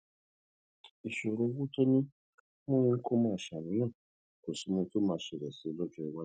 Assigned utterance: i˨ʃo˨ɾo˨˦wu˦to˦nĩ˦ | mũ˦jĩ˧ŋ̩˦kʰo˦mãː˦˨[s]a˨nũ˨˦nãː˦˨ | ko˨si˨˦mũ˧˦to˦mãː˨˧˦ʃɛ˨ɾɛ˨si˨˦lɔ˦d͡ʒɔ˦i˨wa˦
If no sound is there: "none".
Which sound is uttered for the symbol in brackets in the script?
ʃ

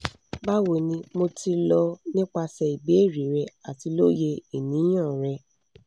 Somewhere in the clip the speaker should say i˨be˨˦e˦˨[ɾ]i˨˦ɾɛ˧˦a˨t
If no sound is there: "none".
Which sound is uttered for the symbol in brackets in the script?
ɾ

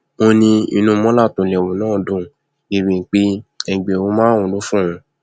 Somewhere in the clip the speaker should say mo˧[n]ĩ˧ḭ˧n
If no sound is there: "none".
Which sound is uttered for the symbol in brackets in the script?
n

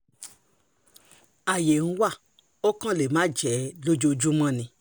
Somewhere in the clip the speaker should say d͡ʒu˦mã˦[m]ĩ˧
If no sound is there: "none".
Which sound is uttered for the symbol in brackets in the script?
n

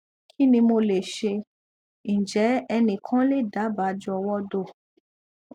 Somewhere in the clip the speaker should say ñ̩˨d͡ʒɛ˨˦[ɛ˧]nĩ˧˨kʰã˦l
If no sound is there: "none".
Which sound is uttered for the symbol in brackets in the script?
ɛ˧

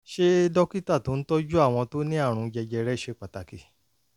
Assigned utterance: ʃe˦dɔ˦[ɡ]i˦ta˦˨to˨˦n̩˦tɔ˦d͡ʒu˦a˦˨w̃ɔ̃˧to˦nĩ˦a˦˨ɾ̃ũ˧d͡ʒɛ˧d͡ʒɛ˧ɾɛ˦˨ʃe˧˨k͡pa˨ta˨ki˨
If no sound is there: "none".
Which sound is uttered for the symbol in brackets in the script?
k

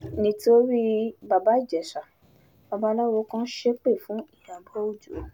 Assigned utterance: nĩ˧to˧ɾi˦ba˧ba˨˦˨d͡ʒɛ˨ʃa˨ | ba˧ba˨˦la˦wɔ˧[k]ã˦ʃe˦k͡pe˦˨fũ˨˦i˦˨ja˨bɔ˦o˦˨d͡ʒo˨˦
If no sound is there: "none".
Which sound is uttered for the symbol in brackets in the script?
k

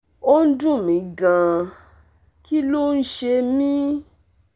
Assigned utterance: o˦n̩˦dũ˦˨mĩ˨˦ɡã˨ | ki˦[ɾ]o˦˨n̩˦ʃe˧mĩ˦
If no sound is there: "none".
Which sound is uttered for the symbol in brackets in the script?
l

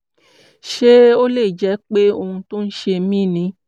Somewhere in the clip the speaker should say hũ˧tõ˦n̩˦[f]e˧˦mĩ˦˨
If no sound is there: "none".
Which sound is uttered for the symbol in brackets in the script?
ʃ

